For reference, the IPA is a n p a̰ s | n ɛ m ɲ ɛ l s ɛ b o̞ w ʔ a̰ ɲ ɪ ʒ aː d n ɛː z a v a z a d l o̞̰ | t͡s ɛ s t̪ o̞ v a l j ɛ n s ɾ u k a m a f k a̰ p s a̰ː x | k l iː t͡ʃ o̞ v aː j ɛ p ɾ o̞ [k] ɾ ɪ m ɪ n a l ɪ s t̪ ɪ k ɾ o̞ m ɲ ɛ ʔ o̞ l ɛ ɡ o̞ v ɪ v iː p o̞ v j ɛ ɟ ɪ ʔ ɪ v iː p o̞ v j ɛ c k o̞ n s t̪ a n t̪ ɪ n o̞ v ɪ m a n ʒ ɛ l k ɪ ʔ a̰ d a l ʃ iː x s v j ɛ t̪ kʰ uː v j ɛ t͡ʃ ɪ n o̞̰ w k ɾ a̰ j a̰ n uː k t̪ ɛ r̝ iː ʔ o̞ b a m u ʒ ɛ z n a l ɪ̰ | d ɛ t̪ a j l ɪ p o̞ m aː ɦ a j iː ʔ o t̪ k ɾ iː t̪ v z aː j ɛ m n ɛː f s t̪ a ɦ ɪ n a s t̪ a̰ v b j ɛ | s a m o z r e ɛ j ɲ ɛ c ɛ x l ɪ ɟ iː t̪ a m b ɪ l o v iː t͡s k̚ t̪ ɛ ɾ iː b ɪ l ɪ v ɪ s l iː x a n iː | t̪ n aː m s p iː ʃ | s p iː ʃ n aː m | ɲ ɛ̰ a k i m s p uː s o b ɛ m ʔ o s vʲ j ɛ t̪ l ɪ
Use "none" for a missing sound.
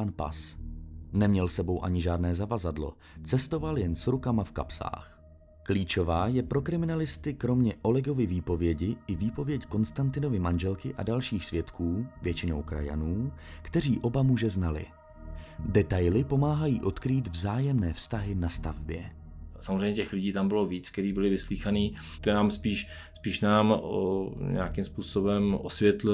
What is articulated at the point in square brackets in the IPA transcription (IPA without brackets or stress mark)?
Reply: k